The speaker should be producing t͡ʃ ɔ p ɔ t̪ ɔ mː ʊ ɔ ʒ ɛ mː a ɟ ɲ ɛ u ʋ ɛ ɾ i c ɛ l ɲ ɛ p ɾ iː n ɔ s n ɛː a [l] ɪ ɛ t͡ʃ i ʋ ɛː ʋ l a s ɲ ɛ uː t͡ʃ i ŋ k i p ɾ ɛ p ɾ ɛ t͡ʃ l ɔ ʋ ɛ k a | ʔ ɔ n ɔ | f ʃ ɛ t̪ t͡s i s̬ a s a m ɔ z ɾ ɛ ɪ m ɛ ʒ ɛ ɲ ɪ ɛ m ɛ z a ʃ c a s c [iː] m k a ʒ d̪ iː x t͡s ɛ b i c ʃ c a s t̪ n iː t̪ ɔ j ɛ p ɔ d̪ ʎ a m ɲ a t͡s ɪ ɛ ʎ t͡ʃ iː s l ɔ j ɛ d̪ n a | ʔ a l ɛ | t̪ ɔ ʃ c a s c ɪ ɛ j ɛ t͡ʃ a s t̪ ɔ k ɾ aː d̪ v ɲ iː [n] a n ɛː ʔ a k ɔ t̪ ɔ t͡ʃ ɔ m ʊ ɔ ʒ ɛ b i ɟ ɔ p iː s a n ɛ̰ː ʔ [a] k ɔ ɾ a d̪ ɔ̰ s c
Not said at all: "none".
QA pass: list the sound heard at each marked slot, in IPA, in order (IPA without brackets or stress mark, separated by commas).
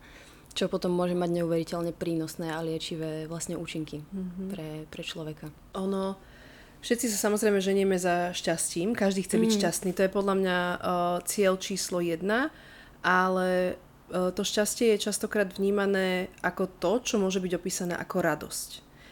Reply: l, iː, m, a